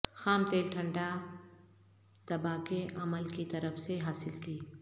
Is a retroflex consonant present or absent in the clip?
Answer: present